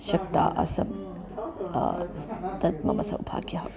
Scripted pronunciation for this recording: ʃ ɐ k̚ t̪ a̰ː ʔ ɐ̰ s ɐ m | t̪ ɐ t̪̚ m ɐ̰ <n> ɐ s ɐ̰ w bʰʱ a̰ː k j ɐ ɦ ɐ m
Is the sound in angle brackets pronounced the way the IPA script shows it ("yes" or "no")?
no